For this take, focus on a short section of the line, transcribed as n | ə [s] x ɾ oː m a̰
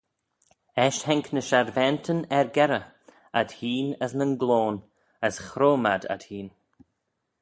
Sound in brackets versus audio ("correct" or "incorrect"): correct